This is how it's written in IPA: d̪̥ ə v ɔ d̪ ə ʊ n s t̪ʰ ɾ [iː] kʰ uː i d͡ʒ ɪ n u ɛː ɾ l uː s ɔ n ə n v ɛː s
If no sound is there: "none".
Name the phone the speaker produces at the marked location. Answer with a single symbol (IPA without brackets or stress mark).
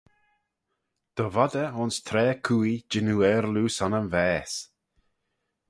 ɛː